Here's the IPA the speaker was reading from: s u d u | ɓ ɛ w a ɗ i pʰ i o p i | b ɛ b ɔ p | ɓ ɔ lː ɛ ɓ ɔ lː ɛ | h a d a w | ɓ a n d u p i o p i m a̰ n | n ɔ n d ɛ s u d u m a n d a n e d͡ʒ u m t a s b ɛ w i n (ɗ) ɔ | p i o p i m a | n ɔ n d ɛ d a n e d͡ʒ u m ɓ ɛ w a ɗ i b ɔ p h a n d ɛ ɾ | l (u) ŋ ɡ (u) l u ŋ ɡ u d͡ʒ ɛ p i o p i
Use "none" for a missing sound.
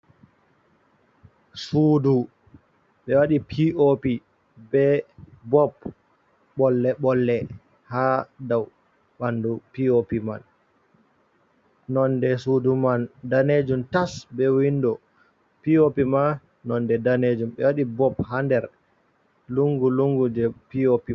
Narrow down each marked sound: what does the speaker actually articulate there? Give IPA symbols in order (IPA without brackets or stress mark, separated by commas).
d, u, u